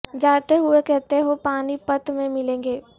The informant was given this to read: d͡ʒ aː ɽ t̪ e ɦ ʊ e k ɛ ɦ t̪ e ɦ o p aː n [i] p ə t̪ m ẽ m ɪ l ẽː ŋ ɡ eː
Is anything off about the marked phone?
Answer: no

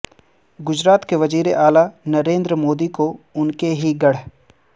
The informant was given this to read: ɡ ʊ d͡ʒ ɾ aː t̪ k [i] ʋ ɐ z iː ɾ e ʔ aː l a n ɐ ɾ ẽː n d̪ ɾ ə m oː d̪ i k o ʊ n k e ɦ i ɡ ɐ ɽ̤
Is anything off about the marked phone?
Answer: yes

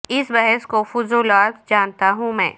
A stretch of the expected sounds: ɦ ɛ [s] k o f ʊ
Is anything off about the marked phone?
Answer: no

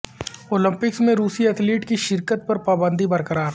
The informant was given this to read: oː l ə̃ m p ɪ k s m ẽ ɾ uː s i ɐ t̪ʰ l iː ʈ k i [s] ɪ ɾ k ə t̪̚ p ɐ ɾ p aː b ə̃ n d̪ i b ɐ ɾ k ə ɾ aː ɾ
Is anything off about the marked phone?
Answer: yes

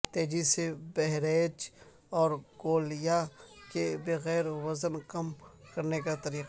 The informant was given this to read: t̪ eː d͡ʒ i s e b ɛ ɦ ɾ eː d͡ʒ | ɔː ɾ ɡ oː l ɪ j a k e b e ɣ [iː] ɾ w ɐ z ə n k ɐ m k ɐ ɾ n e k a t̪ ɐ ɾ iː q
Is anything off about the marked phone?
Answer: yes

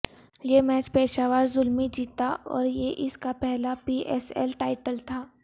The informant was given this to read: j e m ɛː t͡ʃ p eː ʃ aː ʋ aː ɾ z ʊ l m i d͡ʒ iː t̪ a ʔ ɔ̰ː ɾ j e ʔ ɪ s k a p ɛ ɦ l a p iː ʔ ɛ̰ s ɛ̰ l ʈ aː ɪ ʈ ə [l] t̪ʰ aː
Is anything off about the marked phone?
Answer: no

